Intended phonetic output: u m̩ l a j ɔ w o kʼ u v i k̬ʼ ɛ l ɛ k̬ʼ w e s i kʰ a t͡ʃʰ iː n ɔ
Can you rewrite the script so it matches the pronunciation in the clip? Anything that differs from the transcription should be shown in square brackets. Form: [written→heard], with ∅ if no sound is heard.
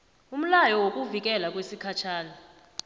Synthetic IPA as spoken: u m̩ l a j ɔ w o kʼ u v i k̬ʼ ɛ l [ɛ→a] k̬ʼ w e s i kʰ a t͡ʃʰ [iː→aː] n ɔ